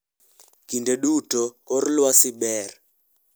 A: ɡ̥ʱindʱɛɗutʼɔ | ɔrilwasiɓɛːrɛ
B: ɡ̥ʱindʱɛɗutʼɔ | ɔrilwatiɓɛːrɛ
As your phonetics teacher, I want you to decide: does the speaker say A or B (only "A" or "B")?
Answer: A